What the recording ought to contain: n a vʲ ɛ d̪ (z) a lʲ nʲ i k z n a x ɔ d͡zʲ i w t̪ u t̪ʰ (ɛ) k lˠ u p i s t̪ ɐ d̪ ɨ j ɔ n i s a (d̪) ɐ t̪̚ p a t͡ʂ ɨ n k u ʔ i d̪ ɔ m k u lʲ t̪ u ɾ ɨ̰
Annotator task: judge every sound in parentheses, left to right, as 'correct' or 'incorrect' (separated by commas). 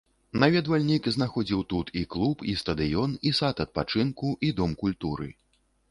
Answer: incorrect, incorrect, incorrect